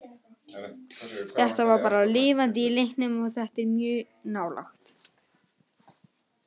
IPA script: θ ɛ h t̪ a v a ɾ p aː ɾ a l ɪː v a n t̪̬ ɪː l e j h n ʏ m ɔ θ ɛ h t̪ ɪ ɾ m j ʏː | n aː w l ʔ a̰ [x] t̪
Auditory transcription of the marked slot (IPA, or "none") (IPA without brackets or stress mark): x